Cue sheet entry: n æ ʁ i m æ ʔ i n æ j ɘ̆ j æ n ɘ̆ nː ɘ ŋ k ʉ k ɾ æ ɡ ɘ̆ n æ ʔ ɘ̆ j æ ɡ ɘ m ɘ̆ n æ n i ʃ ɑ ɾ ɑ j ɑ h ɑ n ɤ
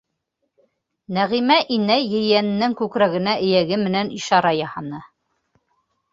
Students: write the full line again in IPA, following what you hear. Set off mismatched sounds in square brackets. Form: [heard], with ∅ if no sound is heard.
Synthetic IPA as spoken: n æ ʁ i m æ ʔ i n æ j ɘ̆ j æ n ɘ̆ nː ɘ ŋ k ʉ k ɾ æ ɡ ɘ̆ n æ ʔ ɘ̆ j æ ɡ ɘ m ɘ̆ n æ n i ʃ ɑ ɾ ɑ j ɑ h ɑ n ɤ